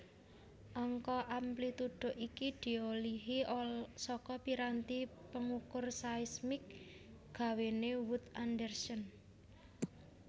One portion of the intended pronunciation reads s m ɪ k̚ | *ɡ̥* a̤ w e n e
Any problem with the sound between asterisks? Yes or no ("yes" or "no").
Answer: no